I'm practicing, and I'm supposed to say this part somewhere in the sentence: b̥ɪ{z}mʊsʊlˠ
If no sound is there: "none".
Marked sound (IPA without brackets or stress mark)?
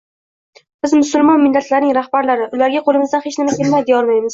z